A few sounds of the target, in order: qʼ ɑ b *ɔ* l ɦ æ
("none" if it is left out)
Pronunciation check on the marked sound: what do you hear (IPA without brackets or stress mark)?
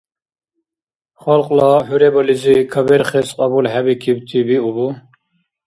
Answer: u